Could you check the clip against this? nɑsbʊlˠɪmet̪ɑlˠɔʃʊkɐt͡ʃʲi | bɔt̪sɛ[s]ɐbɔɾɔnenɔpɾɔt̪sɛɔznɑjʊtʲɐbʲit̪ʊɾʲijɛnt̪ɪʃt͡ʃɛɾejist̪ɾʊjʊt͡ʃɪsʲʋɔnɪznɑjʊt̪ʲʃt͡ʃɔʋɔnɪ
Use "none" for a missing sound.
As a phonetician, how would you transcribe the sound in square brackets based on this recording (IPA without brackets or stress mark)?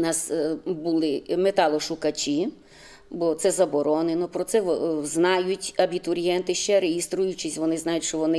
z